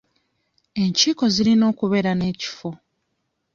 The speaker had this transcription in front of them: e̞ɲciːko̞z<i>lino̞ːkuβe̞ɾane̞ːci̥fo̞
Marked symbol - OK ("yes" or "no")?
yes